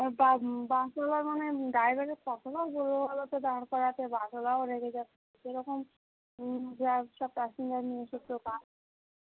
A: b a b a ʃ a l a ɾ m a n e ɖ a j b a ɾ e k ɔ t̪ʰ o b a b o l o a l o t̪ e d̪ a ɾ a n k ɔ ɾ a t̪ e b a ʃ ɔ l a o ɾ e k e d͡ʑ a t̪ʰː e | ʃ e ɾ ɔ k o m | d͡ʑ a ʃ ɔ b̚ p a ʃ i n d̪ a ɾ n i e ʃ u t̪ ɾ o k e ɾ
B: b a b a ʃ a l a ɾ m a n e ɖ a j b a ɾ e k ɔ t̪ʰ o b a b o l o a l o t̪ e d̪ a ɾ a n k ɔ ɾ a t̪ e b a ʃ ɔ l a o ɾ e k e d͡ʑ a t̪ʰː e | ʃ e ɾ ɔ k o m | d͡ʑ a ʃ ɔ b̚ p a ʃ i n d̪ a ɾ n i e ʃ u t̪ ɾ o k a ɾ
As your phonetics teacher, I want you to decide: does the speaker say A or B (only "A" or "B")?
B